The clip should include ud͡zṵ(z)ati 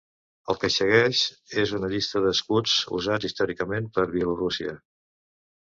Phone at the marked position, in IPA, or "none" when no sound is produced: z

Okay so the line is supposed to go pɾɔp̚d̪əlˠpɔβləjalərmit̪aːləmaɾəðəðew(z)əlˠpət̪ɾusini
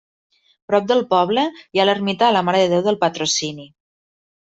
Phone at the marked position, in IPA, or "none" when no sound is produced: ð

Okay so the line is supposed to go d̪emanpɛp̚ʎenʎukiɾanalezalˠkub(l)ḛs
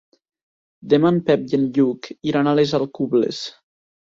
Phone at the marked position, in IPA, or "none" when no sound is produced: l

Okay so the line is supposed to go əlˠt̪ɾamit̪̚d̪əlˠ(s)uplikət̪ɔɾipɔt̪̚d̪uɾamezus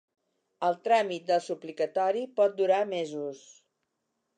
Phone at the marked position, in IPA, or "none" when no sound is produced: s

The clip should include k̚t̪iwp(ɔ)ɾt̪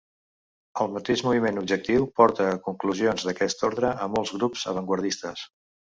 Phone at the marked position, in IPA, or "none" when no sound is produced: ɔ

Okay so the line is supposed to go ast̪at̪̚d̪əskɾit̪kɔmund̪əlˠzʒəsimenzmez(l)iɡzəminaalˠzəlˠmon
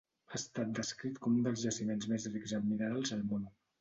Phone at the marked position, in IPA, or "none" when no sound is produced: r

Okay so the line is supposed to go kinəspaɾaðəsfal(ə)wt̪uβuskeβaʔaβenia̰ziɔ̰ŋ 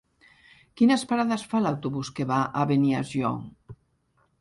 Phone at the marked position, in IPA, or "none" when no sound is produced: a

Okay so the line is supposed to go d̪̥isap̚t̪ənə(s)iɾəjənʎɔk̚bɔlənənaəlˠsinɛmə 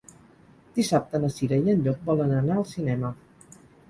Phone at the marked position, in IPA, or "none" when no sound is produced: s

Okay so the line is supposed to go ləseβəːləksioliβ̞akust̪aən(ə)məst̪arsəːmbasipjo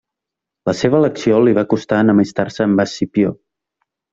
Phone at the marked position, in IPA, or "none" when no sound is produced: ə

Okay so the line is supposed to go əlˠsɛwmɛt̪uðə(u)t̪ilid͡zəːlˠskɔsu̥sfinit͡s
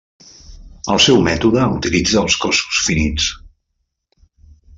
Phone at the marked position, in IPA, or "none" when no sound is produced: u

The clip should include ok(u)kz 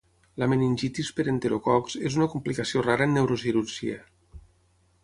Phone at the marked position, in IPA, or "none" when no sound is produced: ɔ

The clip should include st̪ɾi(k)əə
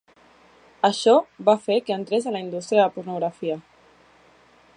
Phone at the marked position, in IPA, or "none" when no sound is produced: none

